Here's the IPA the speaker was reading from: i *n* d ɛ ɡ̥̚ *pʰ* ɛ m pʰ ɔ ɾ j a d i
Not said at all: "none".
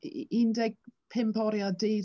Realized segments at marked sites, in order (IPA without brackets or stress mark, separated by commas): n, pʰ